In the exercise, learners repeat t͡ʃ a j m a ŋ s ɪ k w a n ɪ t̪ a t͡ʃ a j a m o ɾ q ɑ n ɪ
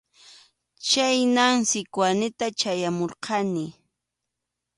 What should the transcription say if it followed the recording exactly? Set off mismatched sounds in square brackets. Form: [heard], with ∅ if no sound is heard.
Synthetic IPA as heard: t͡ʃ a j [n] a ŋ s ɪ k w a n ɪ t̪ a t͡ʃ a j a m o ɾ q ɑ n ɪ